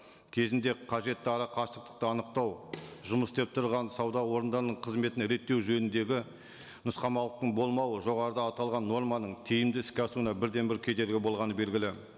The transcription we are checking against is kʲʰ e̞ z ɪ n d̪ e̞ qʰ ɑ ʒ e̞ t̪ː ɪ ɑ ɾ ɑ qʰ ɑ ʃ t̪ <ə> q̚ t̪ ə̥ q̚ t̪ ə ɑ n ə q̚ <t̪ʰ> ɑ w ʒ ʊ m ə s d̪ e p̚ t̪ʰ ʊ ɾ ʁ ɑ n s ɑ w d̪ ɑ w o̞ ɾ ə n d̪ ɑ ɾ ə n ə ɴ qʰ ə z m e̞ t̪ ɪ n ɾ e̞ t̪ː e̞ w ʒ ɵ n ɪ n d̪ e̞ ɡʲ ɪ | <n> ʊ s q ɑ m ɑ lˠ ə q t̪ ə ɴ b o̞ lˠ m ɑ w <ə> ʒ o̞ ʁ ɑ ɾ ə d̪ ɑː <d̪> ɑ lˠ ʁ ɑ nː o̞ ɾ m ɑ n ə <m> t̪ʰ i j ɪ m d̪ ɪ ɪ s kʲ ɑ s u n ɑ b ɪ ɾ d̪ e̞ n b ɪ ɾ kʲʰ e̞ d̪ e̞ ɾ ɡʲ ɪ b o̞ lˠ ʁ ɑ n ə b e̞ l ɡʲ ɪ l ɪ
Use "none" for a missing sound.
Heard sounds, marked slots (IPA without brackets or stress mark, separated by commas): ə, t̪, n, ə, t̪, ɴ